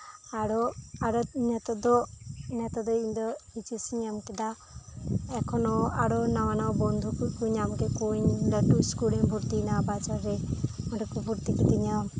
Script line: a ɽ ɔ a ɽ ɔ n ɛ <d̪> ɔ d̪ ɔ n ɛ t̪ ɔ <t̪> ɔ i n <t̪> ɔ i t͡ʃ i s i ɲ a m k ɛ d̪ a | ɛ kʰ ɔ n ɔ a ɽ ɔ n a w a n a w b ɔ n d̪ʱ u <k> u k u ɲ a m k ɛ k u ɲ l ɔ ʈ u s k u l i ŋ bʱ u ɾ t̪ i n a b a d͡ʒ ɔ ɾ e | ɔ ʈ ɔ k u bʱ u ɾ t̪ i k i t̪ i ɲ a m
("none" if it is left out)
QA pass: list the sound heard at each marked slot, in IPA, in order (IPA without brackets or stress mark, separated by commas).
t̪, d̪, d̪, k